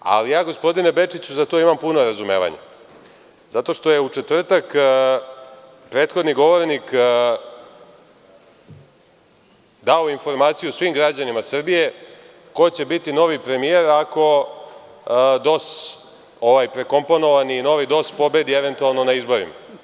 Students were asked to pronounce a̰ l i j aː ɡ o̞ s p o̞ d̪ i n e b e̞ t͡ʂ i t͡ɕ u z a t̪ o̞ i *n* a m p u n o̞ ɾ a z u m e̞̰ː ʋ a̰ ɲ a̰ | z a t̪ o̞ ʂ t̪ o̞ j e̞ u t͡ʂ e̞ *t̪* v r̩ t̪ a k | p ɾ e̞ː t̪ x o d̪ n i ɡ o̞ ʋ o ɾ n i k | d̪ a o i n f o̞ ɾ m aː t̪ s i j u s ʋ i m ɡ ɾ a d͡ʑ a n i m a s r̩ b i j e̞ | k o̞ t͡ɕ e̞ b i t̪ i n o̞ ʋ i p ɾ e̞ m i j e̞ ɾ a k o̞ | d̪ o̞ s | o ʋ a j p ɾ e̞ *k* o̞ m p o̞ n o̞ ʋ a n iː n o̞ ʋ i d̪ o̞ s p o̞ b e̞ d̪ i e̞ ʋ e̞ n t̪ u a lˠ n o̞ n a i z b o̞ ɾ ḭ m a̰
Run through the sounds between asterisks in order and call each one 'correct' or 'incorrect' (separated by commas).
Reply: incorrect, correct, correct